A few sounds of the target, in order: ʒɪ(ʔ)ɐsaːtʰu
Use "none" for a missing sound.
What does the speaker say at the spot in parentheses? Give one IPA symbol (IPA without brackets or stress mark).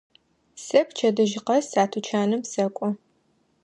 q